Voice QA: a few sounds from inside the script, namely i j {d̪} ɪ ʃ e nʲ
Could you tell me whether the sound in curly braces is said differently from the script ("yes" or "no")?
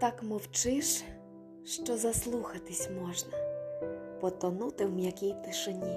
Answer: yes